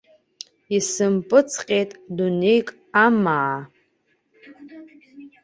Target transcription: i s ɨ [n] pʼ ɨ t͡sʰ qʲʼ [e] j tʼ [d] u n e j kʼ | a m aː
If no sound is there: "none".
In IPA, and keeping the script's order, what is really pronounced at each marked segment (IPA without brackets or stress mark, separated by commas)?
m, e, d